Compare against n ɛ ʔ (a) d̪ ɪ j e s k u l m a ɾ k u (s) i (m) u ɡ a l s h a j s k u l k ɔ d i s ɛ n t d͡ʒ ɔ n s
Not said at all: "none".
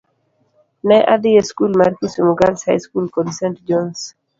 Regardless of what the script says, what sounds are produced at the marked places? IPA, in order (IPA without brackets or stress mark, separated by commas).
a, s, m